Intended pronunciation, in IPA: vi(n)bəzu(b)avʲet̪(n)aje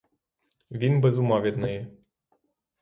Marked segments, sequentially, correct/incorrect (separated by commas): correct, incorrect, correct